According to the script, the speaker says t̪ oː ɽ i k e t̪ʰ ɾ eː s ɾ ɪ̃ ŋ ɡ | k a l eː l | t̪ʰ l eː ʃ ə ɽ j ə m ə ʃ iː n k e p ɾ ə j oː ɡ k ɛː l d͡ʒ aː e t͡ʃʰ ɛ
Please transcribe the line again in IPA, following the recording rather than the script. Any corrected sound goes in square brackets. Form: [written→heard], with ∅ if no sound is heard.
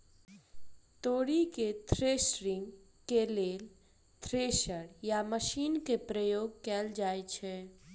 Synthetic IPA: t̪ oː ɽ i k e t̪ʰ ɾ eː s ɾ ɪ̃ ŋ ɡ | k [a→e] l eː l | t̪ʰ [l→ɾ] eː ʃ ə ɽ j [ə→a] m ə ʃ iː n k e p ɾ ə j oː ɡ k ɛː l d͡ʒ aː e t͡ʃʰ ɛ